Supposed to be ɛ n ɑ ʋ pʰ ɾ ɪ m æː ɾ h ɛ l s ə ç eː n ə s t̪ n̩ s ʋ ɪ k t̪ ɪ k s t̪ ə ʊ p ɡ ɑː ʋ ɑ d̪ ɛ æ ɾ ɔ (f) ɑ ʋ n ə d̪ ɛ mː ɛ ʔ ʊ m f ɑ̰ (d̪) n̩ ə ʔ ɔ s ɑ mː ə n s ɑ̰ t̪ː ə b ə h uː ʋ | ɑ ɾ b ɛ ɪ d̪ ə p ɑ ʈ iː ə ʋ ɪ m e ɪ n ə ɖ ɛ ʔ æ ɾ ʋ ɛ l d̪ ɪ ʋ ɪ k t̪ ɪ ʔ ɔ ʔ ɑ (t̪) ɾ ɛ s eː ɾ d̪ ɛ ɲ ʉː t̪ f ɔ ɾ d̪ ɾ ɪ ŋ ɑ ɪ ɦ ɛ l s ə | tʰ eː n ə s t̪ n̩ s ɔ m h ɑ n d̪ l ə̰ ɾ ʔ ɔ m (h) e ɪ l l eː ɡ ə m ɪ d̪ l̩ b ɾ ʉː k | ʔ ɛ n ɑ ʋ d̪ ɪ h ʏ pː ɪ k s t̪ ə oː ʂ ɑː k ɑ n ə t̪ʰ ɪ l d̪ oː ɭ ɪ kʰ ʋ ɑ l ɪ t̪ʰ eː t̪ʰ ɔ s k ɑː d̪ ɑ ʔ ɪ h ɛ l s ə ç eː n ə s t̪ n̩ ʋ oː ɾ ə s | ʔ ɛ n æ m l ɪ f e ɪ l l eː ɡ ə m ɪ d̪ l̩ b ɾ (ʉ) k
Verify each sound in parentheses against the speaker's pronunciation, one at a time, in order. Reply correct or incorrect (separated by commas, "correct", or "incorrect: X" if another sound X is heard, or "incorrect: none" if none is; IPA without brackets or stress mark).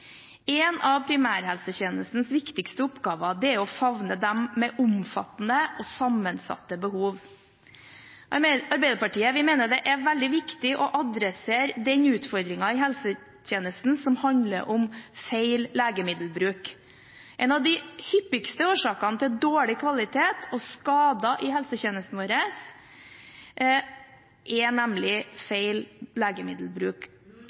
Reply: correct, incorrect: t̪, incorrect: d̪, incorrect: f, incorrect: ʉː